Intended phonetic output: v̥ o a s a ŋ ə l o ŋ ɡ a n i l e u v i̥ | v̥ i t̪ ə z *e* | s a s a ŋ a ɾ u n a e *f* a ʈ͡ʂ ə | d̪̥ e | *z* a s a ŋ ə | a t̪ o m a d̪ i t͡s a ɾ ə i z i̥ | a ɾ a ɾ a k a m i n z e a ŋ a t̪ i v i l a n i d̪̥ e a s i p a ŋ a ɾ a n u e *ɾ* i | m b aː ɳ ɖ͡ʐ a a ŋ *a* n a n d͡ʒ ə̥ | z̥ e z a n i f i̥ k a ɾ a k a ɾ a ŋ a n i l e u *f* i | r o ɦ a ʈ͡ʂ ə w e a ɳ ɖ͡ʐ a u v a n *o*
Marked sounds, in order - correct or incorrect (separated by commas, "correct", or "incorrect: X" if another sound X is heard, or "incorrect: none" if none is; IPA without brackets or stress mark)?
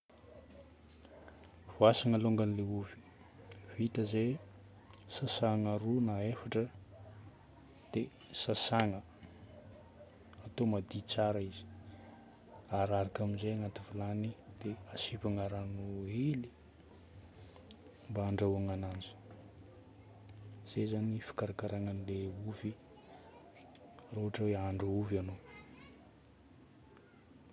correct, correct, incorrect: s, incorrect: l, correct, incorrect: v, correct